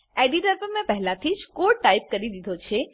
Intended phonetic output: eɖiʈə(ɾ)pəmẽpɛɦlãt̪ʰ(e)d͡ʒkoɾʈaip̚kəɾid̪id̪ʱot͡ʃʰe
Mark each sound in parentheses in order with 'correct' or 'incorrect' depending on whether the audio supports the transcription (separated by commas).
correct, incorrect